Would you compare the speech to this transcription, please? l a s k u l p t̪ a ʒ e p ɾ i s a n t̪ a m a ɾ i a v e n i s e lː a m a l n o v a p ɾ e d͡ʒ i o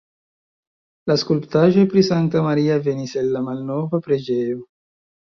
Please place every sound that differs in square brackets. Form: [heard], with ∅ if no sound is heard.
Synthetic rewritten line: l a s k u l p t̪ a ʒ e p ɾ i s a n t̪ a m a ɾ i a v e n i s e lː a m a l n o v a p ɾ e d͡ʒ [e] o